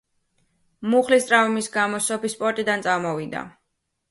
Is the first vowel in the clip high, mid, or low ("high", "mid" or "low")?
high